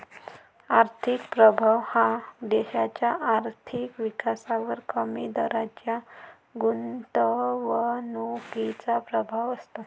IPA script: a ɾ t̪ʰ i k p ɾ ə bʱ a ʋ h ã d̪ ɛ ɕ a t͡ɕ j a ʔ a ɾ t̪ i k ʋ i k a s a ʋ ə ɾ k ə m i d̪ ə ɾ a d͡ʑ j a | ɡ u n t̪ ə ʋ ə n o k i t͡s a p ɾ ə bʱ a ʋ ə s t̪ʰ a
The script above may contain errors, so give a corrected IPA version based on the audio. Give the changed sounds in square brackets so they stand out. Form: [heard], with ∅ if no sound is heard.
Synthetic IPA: a ɾ t̪ʰ i k p ɾ ə bʱ a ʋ h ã d̪ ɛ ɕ a t͡ɕ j a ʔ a ɾ [t̪ʰ] i k ʋ i k a s a ʋ ə ɾ k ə m i d̪ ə ɾ a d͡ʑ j a | ɡ u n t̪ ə ʋ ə n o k i t͡s a p ɾ ə bʱ a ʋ ə s [t̪] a